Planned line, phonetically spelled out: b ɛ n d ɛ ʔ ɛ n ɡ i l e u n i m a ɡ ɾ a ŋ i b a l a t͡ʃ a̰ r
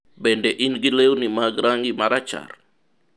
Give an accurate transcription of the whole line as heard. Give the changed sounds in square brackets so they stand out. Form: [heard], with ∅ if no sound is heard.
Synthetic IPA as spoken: b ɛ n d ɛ ʔ [i] n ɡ i l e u n i m a ɡ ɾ a ŋ i [m] a [ɾ] a t͡ʃ a̰ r

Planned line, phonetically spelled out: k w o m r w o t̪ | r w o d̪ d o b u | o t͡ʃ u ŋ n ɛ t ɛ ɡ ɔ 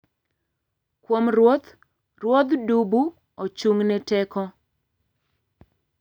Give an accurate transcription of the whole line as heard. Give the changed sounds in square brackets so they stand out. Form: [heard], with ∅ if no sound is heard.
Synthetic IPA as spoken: k w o m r w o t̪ | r w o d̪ d [u] b u | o t͡ʃ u ŋ n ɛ t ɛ [k] ɔ

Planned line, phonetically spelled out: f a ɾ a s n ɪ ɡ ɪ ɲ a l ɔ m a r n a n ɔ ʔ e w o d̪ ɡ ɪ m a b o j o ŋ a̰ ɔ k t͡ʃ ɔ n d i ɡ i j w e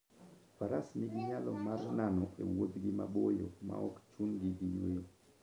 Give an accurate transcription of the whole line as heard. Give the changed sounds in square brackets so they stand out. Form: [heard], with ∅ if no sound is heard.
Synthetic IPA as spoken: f a ɾ a s n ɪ ɡ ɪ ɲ a l ɔ m a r n a n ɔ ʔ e w o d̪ ɡ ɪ m a b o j o [m] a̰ ɔ k t͡ʃ [u] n [ɡ] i ɡ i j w e

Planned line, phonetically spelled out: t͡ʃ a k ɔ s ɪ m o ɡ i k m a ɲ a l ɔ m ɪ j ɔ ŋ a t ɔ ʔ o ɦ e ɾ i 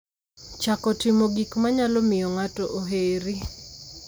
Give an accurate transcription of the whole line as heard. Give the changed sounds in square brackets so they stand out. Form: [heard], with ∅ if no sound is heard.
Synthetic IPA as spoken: t͡ʃ a k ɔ [t] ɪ m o ɡ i k m a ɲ a l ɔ m ɪ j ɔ ŋ a t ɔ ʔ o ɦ e ɾ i

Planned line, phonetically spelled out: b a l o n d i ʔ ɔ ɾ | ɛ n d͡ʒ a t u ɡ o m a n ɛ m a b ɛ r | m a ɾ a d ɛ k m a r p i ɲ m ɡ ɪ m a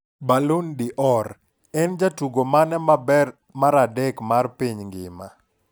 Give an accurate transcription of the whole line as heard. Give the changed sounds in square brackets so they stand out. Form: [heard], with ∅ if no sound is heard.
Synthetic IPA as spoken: b a l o n d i ʔ ɔ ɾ | ɛ n d͡ʒ a t u ɡ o m a n ɛ m a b ɛ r | m a ɾ a d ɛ k m a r p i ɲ [ŋ] ɡ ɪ m a

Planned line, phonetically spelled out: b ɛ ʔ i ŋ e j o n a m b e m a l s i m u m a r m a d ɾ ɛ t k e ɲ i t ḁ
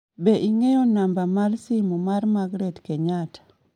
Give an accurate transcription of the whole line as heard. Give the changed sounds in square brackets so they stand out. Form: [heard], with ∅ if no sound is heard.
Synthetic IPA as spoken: b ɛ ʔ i ŋ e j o n a m b [a] m a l s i m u m a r m a [ɡ] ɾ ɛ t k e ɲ [a] t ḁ

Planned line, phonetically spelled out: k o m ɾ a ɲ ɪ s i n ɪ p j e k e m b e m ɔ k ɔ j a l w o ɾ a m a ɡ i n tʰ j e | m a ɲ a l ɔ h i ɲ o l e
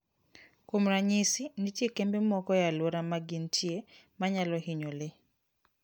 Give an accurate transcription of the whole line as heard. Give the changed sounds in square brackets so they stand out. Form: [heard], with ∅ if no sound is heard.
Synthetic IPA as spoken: k o m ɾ a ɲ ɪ s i n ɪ [t] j e k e m b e m ɔ k ɔ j a l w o ɾ a m a ɡ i n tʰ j e | m a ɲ a l ɔ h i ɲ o l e

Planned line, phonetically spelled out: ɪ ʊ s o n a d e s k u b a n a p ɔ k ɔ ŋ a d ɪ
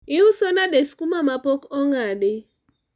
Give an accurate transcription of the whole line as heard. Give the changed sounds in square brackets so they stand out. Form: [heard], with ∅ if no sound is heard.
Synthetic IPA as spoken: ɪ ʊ s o n a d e s k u [m] a [m] a p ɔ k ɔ ŋ a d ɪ

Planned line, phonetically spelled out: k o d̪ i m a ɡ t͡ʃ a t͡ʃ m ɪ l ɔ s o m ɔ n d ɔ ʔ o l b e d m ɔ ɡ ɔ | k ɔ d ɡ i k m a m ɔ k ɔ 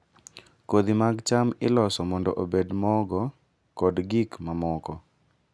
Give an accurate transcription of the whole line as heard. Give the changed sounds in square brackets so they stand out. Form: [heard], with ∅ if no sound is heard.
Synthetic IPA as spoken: k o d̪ i m a ɡ t͡ʃ a [∅] m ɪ l ɔ s [ɔ] m ɔ n d ɔ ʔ o [∅] b e d m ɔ ɡ ɔ | k ɔ d ɡ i k m a m ɔ k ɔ

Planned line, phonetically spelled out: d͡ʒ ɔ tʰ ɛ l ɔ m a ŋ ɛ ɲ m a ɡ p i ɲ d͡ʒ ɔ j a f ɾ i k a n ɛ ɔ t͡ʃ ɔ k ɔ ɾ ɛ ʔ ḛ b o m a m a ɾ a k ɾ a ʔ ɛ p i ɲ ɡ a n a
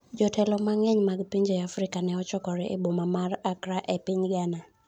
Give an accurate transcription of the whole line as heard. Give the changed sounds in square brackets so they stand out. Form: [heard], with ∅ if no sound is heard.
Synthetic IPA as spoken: d͡ʒ ɔ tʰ ɛ l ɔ m a ŋ ɛ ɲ m a ɡ p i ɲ d͡ʒ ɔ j a f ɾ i k a n ɛ ɔ t͡ʃ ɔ k ɔ ɾ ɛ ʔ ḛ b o m a m a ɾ a k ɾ a ʔ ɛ p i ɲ ɡ a n a

